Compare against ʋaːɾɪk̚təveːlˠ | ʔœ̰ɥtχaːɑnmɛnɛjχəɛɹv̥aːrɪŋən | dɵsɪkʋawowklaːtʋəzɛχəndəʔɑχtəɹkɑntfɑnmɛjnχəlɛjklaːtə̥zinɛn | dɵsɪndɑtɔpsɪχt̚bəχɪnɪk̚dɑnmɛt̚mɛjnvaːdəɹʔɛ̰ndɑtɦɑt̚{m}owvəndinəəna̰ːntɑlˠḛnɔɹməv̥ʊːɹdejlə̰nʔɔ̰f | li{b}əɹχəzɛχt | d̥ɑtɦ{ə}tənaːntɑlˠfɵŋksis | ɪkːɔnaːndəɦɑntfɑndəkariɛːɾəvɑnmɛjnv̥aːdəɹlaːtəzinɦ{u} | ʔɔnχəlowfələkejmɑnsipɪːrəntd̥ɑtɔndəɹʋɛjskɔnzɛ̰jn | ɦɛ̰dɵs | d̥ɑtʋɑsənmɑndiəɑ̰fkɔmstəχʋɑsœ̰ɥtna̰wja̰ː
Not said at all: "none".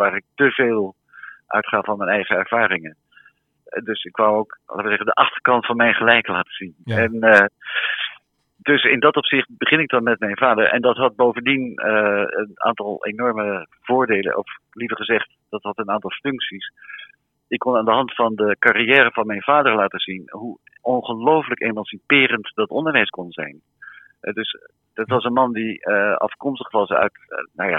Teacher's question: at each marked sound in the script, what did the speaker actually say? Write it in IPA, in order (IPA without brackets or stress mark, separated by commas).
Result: b, v, ɑ, u